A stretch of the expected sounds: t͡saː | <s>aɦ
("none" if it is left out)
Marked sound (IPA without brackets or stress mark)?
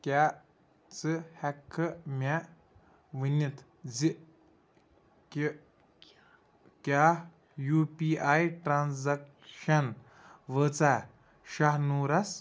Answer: ʃ